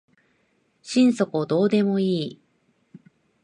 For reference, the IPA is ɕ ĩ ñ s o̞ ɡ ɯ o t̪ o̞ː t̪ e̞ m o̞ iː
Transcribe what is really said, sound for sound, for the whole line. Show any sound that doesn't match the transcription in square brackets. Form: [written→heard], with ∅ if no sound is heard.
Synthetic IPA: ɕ ĩ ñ s o̞ [ɡ→k] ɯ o [t̪→d̪] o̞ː [t̪→d̪] e̞ m o̞ iː